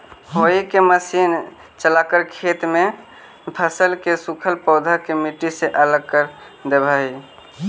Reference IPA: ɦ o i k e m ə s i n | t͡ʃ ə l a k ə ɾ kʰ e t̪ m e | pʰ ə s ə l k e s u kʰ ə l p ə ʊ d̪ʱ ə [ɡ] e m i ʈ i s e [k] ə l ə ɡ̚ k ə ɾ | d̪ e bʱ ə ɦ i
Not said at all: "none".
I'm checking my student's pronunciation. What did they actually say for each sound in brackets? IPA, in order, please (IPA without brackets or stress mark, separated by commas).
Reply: k, ʔ